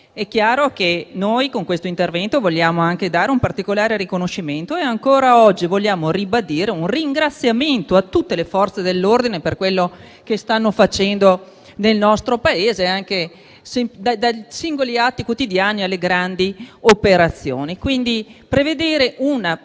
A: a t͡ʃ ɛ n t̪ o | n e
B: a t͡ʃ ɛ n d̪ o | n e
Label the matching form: B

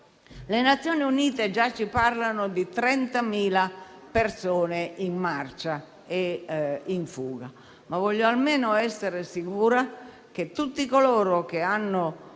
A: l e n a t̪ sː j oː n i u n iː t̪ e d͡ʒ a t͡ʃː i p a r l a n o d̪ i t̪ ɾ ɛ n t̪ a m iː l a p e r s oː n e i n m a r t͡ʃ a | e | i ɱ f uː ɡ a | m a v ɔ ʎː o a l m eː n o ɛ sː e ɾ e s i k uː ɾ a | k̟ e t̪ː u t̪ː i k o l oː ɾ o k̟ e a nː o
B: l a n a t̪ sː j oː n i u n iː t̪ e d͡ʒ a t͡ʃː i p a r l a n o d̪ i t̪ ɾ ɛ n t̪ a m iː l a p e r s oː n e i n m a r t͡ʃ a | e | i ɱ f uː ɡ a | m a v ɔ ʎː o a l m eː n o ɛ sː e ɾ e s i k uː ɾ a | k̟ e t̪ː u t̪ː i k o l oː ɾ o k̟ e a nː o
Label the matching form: A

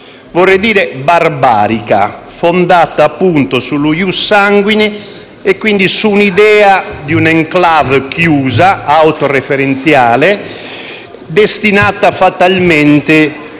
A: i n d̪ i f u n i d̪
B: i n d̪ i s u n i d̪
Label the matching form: B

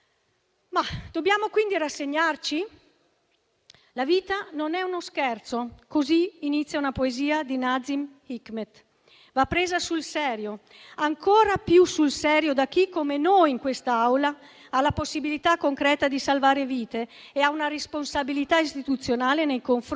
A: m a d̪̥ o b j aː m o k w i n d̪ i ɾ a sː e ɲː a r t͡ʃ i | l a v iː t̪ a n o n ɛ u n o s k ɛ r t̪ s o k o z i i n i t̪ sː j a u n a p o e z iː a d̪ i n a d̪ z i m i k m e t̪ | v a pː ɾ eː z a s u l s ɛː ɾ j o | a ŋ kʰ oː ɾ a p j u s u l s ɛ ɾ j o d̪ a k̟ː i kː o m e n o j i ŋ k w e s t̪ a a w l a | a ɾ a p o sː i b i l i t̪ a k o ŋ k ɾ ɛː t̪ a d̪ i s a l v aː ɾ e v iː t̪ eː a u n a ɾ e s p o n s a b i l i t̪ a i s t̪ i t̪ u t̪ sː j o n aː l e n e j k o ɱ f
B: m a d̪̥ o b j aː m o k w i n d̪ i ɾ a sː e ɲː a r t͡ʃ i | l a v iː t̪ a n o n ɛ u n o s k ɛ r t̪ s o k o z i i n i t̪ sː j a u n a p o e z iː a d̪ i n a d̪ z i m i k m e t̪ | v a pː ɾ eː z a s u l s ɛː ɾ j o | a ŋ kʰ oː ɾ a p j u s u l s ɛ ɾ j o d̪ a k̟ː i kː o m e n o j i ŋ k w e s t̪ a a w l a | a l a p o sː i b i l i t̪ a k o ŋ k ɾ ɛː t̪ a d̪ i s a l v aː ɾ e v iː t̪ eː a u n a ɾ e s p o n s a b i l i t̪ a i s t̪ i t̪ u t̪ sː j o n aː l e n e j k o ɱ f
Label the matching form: B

